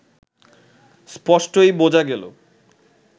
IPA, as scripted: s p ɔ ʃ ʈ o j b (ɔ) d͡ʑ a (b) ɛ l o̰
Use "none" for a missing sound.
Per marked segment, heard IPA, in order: o, ɡ

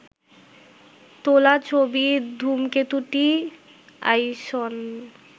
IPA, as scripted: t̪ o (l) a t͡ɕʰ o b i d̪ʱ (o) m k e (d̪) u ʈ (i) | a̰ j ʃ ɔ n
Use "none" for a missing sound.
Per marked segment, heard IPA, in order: l, u, t̪, i

